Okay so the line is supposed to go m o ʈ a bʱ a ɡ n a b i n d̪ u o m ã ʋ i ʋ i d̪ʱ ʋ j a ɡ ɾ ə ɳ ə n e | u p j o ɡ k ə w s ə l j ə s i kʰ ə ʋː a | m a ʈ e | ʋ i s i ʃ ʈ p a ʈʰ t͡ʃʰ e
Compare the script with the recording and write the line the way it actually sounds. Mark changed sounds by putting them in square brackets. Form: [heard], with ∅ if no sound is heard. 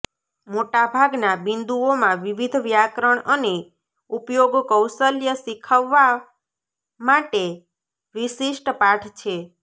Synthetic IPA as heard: m o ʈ a bʱ a ɡ n a b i n d̪ u o m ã ʋ i ʋ i d̪ʱ ʋ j a [k] ɾ ə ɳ ə n e | u p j o ɡ k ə w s ə l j ə s i kʰ ə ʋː a | m a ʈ e | ʋ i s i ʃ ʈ p a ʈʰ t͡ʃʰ e